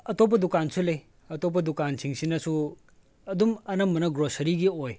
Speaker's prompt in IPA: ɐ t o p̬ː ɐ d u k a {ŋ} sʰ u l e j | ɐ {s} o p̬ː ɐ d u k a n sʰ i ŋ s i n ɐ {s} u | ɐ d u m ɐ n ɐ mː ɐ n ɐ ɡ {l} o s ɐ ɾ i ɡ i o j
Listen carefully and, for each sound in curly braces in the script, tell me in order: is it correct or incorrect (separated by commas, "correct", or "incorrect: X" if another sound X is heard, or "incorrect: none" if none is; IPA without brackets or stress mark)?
incorrect: n, incorrect: t, correct, incorrect: ɾ